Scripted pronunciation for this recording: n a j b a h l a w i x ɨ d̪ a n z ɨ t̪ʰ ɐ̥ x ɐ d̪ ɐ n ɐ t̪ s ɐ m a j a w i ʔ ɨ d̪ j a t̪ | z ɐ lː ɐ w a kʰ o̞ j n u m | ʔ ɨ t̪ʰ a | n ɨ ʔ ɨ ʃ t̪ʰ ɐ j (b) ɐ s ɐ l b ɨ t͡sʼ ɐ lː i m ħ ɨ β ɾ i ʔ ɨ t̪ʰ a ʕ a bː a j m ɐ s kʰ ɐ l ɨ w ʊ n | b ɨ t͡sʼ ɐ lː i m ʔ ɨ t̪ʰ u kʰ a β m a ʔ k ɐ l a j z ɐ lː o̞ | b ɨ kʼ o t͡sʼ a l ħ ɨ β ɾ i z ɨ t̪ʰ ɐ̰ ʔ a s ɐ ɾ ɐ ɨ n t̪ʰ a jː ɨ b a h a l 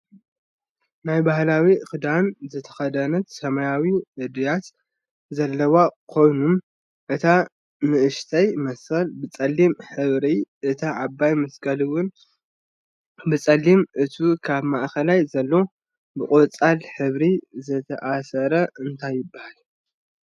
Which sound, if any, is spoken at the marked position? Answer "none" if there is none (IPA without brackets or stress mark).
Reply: m